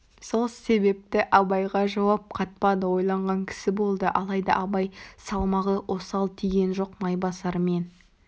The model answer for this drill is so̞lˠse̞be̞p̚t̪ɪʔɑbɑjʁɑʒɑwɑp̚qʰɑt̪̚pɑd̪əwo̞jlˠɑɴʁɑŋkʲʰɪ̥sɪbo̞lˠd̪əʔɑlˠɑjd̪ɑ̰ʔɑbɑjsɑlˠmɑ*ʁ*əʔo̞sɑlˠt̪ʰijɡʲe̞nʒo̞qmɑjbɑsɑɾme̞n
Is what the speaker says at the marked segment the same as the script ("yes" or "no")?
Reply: yes